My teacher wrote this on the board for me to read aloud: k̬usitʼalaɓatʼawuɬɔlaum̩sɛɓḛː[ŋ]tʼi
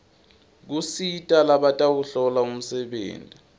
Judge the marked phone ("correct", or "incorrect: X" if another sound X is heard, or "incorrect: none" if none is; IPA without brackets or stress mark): incorrect: n